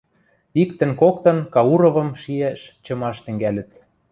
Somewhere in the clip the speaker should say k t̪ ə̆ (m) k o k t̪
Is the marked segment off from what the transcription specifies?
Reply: yes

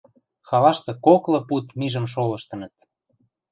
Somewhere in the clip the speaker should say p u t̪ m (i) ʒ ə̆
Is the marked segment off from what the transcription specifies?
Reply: no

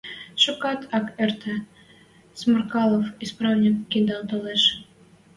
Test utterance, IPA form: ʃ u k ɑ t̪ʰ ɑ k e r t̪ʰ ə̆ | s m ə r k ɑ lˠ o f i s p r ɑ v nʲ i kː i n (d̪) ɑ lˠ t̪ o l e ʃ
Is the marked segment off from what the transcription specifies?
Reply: no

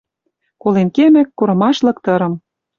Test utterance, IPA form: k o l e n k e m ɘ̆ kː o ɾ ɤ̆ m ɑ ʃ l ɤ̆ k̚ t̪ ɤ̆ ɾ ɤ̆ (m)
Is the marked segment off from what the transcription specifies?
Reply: no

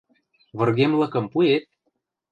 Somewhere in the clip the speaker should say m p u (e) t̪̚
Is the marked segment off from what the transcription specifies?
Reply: no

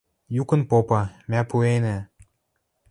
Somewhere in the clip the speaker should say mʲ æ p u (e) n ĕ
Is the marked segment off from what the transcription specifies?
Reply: no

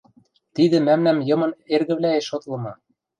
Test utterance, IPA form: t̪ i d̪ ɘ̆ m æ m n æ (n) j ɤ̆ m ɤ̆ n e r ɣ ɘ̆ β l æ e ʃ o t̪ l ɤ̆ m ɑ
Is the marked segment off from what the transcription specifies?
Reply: yes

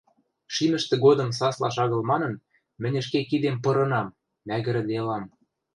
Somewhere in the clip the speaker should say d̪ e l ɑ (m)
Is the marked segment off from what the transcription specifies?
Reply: no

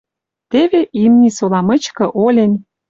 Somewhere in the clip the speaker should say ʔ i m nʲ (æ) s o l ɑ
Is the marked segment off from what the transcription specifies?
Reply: yes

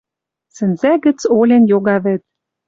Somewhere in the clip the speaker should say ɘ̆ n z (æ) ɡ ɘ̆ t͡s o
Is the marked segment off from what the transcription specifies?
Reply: no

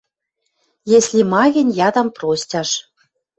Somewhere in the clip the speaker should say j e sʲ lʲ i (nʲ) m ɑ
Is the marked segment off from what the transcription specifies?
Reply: yes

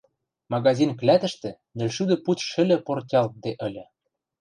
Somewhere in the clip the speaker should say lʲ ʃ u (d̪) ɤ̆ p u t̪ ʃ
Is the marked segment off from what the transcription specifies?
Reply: no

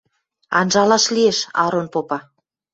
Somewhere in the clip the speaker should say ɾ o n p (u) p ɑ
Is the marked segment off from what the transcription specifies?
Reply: yes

